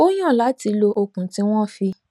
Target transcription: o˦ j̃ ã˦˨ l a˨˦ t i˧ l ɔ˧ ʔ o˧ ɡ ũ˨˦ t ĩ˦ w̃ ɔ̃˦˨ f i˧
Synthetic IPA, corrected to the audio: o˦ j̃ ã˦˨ l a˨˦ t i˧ l o˧ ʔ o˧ k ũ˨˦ t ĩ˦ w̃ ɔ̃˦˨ f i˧